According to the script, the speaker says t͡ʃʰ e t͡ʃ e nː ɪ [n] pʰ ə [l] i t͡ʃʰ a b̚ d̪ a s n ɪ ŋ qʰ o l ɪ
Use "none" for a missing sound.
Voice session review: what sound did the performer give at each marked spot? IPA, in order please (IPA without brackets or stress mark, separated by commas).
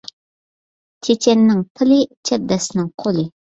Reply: ŋ, l